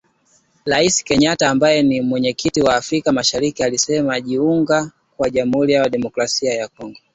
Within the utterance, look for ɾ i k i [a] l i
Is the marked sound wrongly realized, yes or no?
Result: no